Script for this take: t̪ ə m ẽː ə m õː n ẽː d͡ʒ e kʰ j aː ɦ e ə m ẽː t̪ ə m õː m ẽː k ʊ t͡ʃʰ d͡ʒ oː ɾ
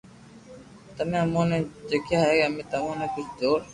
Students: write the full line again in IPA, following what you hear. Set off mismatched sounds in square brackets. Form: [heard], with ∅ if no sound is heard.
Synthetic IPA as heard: t̪ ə m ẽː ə m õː n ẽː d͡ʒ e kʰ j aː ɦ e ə m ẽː t̪ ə m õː [n] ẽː k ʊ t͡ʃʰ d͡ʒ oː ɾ